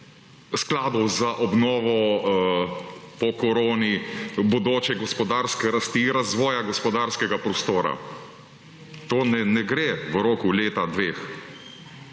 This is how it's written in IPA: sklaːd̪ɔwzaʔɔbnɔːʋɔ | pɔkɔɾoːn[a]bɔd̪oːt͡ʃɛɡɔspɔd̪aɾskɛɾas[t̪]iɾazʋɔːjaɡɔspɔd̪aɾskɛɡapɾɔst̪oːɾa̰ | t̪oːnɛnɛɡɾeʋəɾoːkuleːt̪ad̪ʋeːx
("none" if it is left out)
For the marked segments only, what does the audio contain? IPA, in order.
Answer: i, t̪

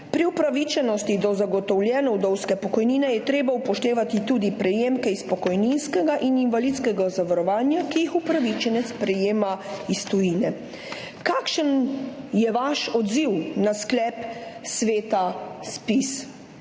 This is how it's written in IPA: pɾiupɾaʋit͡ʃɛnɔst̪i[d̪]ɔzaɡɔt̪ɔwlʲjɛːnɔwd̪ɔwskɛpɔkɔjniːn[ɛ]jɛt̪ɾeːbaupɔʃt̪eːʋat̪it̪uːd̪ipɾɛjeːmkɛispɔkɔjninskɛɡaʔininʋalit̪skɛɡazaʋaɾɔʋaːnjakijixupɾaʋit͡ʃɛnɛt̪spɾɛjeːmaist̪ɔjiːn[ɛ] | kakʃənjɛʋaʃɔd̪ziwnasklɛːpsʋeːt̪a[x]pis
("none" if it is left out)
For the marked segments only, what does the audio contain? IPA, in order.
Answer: d̪, ɛ, ɛ, s

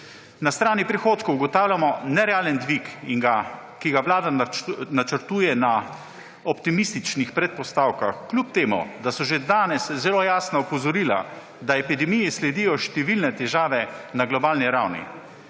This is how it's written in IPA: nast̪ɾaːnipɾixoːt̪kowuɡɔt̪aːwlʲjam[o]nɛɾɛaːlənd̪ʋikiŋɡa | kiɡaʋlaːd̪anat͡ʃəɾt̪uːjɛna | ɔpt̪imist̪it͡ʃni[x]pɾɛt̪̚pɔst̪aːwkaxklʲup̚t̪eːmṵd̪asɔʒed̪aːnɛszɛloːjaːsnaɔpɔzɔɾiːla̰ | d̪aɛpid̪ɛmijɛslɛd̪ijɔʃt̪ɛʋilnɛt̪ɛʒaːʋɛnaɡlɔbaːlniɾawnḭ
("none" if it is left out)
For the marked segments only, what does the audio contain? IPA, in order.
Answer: ɔ, x

